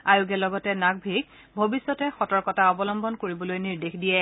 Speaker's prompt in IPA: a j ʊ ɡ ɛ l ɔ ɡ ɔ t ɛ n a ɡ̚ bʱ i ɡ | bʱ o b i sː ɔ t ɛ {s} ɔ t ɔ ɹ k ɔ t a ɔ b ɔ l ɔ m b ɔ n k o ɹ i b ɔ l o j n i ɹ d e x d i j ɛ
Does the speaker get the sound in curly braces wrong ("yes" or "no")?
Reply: yes